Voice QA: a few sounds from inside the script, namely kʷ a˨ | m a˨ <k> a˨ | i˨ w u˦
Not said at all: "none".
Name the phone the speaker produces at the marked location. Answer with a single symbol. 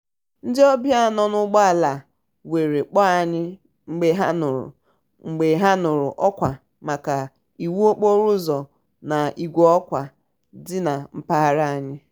k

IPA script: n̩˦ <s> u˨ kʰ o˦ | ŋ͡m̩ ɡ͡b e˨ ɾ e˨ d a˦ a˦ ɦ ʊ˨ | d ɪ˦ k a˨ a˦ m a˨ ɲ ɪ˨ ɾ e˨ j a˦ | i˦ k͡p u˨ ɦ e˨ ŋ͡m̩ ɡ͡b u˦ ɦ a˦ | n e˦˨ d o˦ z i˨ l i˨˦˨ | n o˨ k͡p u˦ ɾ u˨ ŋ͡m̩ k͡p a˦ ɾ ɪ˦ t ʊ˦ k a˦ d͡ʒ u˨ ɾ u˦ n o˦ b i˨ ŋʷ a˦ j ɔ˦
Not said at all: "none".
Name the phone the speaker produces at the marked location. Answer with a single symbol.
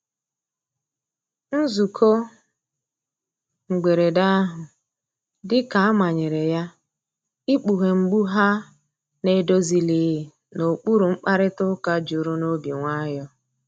z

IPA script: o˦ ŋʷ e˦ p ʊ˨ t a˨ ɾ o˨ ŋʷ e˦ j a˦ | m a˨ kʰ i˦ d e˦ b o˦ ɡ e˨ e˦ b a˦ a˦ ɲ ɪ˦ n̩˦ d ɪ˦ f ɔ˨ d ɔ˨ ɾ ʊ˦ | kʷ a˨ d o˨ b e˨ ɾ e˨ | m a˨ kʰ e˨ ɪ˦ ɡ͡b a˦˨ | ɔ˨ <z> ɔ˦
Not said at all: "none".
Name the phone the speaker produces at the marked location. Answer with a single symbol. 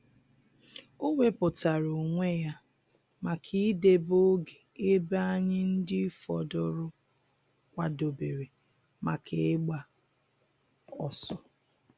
s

